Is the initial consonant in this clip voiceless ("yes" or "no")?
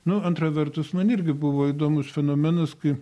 no